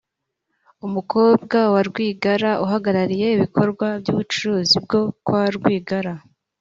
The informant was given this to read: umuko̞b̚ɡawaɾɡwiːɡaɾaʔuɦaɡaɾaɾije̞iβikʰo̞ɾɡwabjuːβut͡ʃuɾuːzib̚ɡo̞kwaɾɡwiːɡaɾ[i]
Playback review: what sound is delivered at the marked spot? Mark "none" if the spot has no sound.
a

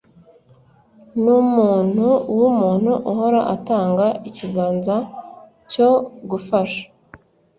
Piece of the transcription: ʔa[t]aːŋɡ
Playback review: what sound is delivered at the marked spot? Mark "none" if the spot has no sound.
t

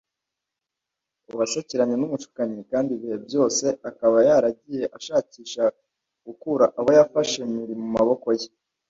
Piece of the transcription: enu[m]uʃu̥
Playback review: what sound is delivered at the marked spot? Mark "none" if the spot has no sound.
m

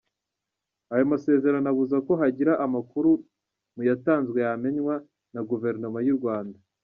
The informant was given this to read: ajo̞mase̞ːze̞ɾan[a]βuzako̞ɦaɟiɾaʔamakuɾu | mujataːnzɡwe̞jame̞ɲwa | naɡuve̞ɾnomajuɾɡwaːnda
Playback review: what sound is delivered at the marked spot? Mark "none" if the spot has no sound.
a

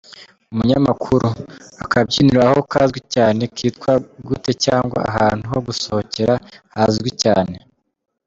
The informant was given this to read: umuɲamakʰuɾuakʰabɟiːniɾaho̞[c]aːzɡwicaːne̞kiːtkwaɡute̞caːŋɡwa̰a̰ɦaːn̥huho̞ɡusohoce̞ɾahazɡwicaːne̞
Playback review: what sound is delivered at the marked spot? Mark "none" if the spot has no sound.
k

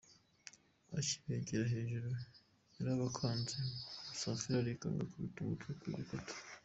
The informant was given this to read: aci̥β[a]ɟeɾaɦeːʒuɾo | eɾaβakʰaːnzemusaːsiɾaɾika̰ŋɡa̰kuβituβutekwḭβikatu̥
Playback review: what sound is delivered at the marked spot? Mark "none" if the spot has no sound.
e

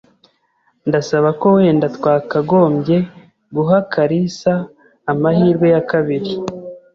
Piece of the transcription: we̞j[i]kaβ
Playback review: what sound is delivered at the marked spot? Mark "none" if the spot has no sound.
a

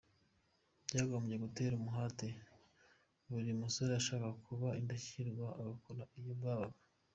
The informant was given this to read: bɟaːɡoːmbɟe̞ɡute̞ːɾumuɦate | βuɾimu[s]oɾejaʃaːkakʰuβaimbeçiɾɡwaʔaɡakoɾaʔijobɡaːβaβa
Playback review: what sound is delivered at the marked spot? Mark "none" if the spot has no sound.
s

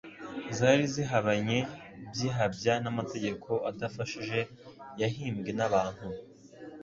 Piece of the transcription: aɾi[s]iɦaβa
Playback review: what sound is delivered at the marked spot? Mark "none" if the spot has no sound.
z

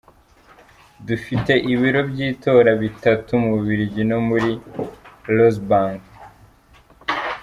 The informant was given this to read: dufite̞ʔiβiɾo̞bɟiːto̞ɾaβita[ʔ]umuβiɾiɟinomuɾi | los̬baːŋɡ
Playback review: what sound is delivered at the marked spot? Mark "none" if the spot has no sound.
t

